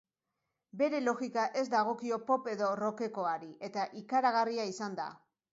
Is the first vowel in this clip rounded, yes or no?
no